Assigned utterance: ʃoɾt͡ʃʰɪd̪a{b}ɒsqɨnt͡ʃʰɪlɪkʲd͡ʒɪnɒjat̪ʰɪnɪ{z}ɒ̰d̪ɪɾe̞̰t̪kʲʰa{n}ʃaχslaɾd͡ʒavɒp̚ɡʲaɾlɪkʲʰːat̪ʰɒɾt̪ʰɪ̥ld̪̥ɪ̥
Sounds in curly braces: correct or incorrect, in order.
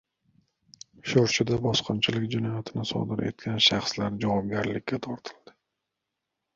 correct, incorrect, correct

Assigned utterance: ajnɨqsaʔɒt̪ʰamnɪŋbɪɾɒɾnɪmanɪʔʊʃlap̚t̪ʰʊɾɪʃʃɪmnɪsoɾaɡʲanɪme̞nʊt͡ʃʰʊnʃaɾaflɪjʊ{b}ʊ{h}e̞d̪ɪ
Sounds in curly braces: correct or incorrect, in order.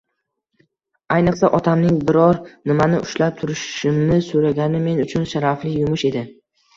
incorrect, incorrect

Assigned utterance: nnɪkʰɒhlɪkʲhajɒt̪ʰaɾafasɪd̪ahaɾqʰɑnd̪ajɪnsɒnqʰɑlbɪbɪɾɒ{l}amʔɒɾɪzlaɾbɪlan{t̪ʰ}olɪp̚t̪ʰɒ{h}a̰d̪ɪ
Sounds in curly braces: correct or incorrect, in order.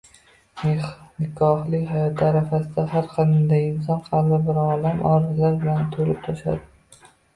correct, correct, incorrect

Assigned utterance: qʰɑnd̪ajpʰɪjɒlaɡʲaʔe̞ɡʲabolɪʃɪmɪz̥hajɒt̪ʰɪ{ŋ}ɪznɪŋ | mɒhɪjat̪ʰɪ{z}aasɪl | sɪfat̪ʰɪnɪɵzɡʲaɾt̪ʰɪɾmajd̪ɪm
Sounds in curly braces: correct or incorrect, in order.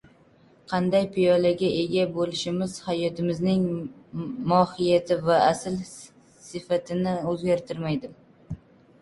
incorrect, incorrect

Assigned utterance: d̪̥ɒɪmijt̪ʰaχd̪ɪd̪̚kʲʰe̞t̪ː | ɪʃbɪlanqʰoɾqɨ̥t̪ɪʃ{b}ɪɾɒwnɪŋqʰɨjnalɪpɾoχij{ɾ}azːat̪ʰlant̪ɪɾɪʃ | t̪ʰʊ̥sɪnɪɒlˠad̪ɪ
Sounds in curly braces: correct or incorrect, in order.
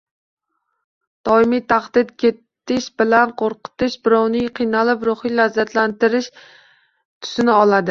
correct, incorrect

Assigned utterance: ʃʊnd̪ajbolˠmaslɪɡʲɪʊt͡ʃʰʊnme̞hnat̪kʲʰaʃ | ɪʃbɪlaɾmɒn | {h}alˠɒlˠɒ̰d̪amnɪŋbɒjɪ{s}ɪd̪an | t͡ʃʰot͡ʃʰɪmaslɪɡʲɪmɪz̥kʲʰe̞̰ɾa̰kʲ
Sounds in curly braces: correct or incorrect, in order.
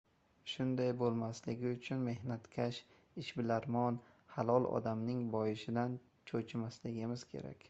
correct, incorrect

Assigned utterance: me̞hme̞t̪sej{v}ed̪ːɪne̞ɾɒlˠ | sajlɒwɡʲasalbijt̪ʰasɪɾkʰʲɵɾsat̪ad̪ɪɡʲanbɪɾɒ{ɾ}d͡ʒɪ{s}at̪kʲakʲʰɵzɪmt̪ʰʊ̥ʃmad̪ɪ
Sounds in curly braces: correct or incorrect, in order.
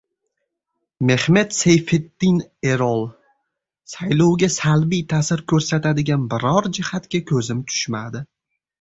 incorrect, correct, incorrect

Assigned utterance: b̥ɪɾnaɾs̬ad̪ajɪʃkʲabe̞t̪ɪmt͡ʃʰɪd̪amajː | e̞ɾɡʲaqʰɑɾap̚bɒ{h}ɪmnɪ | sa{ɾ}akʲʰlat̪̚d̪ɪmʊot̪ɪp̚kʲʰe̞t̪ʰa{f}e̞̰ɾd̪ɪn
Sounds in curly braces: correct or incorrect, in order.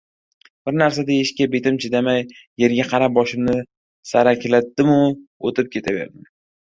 incorrect, correct, incorrect

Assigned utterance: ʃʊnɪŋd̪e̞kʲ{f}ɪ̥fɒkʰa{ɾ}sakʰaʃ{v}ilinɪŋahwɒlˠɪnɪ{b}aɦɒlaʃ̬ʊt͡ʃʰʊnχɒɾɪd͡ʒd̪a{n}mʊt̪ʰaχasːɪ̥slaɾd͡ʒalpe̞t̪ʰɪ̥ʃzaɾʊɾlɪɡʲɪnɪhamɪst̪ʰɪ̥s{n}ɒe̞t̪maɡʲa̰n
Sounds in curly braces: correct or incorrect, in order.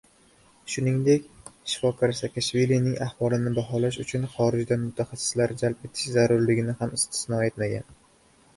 incorrect, correct, correct, correct, correct, correct

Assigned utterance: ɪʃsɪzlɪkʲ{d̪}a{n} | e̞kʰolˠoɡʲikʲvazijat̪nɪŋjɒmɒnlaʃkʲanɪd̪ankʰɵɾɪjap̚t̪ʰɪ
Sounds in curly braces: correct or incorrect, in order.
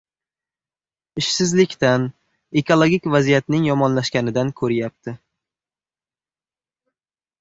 incorrect, correct

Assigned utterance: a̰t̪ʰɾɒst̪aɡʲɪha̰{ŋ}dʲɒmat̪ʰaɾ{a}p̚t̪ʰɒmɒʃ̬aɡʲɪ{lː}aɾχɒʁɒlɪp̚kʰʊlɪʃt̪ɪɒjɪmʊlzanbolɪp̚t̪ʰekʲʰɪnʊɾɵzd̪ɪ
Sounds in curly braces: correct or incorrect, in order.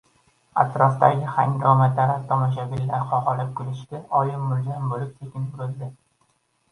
correct, correct, correct

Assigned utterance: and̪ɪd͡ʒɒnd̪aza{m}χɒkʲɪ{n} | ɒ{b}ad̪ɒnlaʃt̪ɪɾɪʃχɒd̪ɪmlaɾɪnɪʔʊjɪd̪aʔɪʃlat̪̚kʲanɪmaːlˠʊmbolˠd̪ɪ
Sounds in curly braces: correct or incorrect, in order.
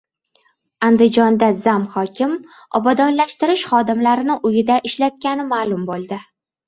correct, incorrect, correct

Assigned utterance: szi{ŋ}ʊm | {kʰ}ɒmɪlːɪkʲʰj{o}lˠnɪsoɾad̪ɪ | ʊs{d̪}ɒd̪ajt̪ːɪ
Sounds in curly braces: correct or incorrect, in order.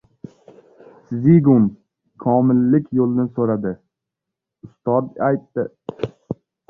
incorrect, correct, correct, incorrect

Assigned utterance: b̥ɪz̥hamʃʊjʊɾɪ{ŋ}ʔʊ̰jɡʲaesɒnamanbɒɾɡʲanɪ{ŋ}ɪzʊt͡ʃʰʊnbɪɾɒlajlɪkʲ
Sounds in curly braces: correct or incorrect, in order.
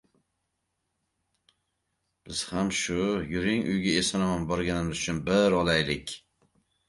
correct, incorrect

